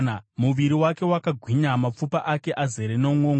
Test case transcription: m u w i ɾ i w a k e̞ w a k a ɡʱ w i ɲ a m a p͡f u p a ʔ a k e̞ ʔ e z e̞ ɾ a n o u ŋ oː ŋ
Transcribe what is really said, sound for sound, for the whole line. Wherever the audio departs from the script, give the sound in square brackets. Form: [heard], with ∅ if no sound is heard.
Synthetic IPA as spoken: m u [ʋ] i ɾ i w a k e̞ w a k a ɡʱ w i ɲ a m a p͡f u p a ʔ a k e̞ ʔ [a] z e̞ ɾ [e] n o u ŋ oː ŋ